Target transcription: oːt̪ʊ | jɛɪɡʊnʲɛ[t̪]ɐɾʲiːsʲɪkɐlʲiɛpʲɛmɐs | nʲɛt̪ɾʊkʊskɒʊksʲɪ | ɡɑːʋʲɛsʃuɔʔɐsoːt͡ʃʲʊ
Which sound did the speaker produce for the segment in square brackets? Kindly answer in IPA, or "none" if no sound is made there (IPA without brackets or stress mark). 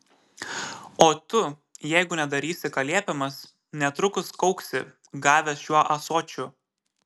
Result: d̪